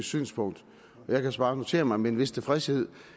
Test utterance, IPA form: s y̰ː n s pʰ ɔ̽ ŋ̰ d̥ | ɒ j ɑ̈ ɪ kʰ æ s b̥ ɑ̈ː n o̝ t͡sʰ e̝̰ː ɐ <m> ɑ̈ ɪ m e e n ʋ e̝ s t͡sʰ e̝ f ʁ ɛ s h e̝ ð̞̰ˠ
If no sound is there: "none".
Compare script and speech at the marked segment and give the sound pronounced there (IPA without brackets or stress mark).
m